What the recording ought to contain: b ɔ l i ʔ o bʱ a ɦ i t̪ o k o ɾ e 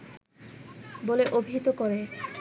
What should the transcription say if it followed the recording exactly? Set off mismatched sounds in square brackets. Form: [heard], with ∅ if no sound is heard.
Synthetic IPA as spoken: b [o] l [e] ʔ o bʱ [i] ɦ i t̪ o k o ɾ e